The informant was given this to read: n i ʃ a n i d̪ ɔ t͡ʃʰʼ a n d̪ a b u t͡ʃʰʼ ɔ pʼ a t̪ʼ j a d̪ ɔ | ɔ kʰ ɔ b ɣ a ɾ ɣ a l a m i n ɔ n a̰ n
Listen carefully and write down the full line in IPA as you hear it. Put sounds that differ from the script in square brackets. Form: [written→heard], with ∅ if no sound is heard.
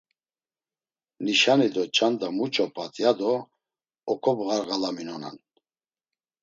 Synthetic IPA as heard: n i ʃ a n i d̪ ɔ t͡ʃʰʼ a n d̪ a [b→m] u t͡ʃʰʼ ɔ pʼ a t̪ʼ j a d̪ ɔ | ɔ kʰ ɔ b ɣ a ɾ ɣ a l a m i n ɔ n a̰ n